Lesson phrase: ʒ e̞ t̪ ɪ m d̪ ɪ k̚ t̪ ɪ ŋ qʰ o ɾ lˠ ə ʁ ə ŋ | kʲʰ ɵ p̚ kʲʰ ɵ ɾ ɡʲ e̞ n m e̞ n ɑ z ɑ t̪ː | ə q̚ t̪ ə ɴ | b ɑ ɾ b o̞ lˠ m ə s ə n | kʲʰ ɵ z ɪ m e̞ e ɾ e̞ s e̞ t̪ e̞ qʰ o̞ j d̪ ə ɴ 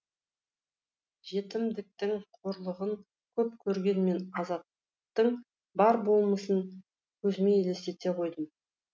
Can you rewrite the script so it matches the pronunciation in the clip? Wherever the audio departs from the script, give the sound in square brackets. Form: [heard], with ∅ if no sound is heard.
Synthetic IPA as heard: ʒ e̞ t̪ ɪ m d̪ ɪ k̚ t̪ ɪ ŋ qʰ o ɾ lˠ ə ʁ ə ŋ | kʲʰ ɵ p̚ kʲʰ ɵ ɾ ɡʲ e̞ n m e̞ n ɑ z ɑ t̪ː | ə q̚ t̪ ə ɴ | b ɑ ɾ b o̞ lˠ m ə s ə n | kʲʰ ɵ z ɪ m e̞ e [l] e̞ s e̞ t̪ e̞ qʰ o̞ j d̪ ə [m]

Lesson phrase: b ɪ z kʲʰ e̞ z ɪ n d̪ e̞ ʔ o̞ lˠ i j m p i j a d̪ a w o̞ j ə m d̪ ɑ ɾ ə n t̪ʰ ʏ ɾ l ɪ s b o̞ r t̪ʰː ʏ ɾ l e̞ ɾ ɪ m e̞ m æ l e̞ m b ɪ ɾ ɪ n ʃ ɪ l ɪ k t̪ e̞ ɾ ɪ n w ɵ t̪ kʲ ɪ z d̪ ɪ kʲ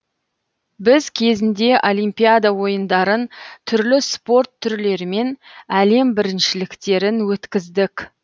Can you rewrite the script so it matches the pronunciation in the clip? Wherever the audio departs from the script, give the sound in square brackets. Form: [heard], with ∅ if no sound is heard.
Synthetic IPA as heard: b ɪ z kʲʰ e̞ z ɪ n d̪ e̞ ʔ o̞ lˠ i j m p i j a d̪ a w o̞ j ə [n] d̪ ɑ ɾ ə n t̪ʰ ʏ ɾ l ɪ s [p] o̞ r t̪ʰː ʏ ɾ l e̞ ɾ ɪ m e̞ [n] æ l e̞ m b ɪ ɾ ɪ n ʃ ɪ l ɪ k t̪ e̞ ɾ ɪ n w ɵ t̪ kʲ ɪ z d̪ ɪ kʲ

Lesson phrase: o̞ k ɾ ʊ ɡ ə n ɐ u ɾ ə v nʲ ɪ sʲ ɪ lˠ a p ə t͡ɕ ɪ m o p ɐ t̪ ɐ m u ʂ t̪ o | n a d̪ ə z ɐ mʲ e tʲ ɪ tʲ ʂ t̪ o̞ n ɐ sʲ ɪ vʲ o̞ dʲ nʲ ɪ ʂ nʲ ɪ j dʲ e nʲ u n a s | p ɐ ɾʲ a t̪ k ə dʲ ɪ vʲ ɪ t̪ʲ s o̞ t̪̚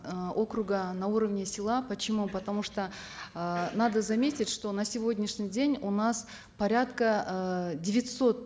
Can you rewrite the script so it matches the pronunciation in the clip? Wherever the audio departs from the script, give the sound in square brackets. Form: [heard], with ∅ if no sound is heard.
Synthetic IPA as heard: o̞ k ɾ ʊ ɡ ə n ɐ u ɾ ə v nʲ ɪ sʲ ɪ lˠ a p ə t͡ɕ ɪ m [u] p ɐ t̪ ɐ m u ʂ t̪ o | n a d̪ ə z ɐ mʲ e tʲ ɪ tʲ ʂ t̪ o̞ n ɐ sʲ ɪ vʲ o̞ dʲ nʲ ɪ ʂ nʲ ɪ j dʲ e nʲ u n a s | p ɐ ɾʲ a t̪ k ə dʲ ɪ vʲ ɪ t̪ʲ s o̞ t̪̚

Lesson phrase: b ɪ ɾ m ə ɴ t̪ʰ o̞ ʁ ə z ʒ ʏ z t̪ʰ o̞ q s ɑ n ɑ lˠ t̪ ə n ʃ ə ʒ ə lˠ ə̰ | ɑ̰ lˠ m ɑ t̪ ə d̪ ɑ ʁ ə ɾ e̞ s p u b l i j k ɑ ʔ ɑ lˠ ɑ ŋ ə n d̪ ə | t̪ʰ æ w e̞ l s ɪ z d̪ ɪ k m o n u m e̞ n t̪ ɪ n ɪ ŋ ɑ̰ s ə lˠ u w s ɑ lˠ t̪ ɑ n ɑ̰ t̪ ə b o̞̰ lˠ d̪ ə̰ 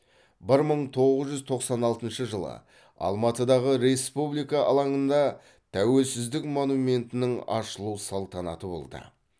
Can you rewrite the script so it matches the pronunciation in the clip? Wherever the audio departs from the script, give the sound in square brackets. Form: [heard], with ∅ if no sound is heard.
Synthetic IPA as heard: b ɪ ɾ m ə ɴ t̪ʰ o̞ ʁ ə z ʒ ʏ z t̪ʰ o̞ q s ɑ n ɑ lˠ t̪ ə n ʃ ə ʒ ə lˠ ə̰ | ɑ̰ lˠ m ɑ t̪ ə d̪ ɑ ʁ ə ɾ e̞ s p u b l i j k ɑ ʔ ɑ lˠ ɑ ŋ ə n d̪ [ɑ] | t̪ʰ æ w e̞ l s ɪ z d̪ ɪ k m o n u m e̞ n t̪ ɪ n ɪ ŋ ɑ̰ [ʃ] ə lˠ u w s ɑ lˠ t̪ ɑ n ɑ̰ t̪ ə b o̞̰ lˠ d̪ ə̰

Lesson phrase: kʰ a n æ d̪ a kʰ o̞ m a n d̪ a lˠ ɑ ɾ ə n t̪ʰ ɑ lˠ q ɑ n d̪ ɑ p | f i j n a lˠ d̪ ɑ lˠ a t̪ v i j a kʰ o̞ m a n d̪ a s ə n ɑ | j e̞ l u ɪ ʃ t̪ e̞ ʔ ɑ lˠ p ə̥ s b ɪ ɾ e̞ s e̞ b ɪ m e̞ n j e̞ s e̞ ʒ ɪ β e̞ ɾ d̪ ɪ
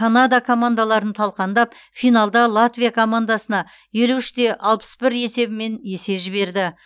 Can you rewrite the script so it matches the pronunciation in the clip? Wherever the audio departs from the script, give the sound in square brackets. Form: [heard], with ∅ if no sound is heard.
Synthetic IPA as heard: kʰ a n [a] d̪ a kʰ o̞ m a n d̪ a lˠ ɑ ɾ ə n t̪ʰ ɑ lˠ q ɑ n d̪ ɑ p | f i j n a lˠ d̪ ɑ lˠ a t̪ v i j a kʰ o̞ m a n d̪ a s ə n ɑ | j e̞ l u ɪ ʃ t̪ e̞ ʔ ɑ lˠ p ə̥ s b ɪ ɾ e̞ s e̞ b ɪ m e̞ n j e̞ s e̞ ʒ ɪ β e̞ ɾ d̪ ɪ

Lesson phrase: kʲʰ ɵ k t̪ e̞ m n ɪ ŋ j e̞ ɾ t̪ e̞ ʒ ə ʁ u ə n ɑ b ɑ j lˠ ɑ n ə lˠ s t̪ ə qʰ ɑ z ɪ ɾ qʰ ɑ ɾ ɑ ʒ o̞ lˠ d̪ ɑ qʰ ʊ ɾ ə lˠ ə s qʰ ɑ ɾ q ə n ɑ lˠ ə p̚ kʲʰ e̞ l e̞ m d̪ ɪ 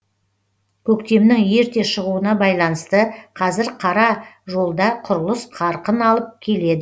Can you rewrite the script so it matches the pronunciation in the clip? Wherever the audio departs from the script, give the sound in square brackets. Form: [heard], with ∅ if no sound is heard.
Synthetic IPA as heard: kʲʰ ɵ k t̪ e̞ m n ɪ ŋ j e̞ ɾ t̪ e̞ [ʃ] ə ʁ u ə n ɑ b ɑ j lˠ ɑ n ə [∅] s t̪ ə qʰ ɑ z ɪ ɾ qʰ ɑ ɾ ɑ ʒ o̞ lˠ d̪ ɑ qʰ ʊ ɾ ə lˠ ə s qʰ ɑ ɾ q ə n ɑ lˠ ə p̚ kʲʰ e̞ l e̞ [∅] d̪ ɪ

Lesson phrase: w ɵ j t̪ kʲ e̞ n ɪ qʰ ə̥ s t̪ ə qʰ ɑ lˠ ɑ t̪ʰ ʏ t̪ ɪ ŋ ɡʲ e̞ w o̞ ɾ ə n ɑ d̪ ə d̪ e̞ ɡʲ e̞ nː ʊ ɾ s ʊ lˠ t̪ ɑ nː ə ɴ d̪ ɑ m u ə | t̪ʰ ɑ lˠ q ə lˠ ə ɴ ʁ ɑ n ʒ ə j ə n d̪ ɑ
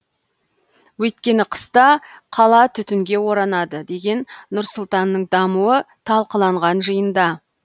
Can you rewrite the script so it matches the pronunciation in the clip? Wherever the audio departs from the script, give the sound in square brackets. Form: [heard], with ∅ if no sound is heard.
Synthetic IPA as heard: w ɵ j t̪ kʲ e̞ n ɪ qʰ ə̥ s t̪ [ɑ] qʰ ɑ lˠ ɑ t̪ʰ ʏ t̪ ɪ ŋ ɡʲ e̞ w o̞ ɾ [ɑ] n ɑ d̪ ə d̪ e̞ ɡʲ e̞ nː ʊ ɾ s ʊ lˠ t̪ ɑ nː ə ɴ d̪ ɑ m u ə | t̪ʰ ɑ lˠ q ə lˠ [ɑ] ɴ ʁ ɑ n ʒ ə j ə n d̪ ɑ

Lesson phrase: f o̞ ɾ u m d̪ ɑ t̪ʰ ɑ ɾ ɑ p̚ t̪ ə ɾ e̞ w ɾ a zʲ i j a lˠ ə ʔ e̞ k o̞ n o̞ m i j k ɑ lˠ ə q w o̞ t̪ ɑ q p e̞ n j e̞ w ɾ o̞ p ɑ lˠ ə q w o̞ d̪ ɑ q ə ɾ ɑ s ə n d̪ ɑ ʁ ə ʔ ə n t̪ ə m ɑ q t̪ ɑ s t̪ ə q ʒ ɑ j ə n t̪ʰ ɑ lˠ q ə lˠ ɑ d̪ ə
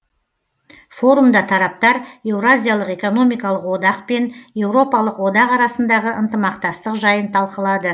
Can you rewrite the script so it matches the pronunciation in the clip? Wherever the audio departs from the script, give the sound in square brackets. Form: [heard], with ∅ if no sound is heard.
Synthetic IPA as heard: f o̞ ɾ u m d̪ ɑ t̪ʰ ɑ ɾ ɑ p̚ t̪ [ɑ] ɾ e̞ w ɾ a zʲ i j a lˠ ə [q] e̞ k o̞ n o̞ m i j k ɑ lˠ ə q w o̞ [d̪] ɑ q p e̞ n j e̞ w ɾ o̞ p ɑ lˠ ə q w o̞ d̪ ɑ q [ɑ] ɾ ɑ s ə n d̪ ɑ ʁ ə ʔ ə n t̪ ə m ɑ q t̪ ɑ s t̪ ə q ʒ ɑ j ə n t̪ʰ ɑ lˠ q ə lˠ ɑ d̪ ə

